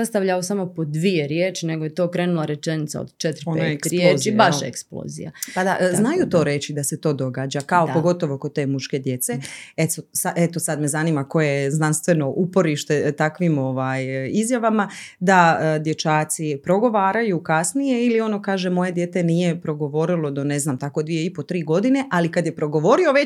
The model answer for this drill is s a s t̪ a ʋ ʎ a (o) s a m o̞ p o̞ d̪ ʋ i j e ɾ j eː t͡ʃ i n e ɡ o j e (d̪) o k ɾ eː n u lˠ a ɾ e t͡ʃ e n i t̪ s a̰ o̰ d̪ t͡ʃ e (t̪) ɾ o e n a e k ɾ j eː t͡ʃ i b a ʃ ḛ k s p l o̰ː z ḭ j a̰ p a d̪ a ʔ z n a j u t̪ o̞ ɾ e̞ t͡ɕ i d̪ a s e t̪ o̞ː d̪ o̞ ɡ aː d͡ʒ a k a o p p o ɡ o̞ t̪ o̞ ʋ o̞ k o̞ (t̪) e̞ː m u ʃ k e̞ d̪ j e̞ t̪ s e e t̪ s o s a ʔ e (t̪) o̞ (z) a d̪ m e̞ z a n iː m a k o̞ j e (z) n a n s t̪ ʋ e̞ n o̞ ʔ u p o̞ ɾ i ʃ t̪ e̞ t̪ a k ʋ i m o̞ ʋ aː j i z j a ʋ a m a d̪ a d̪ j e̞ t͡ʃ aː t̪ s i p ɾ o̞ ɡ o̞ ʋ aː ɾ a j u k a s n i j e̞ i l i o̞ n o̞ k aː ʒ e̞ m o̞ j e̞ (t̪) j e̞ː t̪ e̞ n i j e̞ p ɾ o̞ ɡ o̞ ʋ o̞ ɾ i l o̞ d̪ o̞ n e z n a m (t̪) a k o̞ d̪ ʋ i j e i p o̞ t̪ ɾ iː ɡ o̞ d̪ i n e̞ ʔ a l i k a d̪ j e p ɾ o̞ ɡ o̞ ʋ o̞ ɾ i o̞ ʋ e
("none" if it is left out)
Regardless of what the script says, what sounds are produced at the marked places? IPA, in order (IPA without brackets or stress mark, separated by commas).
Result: o, t̪, t̪, t̪, t̪, s, z, d̪, t̪